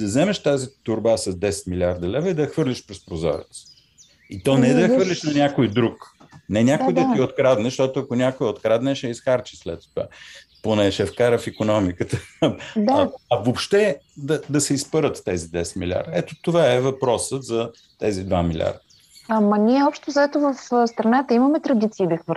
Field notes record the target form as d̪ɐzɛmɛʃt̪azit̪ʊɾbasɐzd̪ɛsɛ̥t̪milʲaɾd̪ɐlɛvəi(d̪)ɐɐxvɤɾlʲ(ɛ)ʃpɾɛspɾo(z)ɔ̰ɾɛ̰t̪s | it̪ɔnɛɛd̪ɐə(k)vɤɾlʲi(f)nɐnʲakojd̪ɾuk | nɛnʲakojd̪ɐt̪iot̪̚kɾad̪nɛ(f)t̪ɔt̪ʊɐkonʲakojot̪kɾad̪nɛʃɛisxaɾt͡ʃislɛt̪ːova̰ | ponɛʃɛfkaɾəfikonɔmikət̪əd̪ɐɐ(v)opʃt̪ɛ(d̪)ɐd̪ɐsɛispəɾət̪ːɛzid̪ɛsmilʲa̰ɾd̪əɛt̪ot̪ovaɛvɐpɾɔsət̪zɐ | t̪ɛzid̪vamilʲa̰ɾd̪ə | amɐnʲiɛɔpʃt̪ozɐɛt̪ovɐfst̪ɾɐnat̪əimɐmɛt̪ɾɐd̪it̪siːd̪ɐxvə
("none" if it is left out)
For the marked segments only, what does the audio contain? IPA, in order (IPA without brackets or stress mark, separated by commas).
d̪, i, z, x, ʃ, ʃ, v, d̪